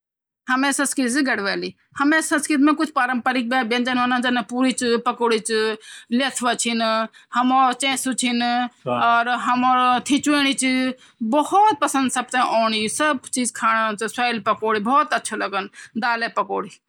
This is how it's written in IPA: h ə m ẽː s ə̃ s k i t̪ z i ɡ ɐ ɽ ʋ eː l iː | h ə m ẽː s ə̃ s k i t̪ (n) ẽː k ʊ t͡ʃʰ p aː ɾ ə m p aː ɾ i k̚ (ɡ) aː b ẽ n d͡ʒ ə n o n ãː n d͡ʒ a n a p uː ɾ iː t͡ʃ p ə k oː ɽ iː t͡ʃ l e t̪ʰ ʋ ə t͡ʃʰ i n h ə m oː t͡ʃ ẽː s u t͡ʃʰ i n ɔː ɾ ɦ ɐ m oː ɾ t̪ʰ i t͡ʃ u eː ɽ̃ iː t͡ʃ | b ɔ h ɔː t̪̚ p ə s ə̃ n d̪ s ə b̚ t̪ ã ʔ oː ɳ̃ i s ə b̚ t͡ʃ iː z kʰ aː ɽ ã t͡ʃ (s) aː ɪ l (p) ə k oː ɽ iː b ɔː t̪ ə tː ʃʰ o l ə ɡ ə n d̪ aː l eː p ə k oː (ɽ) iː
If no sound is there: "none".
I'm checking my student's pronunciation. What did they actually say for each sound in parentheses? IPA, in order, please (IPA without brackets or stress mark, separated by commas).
m, b, s, p, ɽ